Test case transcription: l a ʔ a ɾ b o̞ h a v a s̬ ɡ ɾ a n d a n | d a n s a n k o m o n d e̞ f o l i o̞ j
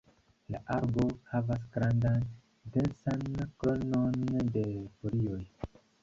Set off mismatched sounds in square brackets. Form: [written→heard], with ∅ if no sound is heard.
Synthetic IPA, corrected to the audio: l a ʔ a ɾ b o̞ h a v a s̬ ɡ ɾ a n d a n | d [a→e] n s a n k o [m→n] o n d e̞ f o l i o̞ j